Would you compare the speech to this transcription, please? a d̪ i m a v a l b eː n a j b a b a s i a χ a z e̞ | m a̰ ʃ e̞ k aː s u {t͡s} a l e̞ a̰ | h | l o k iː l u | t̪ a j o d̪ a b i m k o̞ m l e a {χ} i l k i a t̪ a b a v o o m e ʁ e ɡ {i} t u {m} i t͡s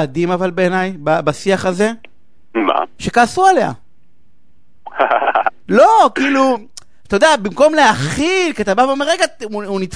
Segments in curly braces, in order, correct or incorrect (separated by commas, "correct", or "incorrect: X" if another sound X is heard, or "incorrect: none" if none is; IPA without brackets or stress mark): incorrect: none, correct, incorrect: a, incorrect: n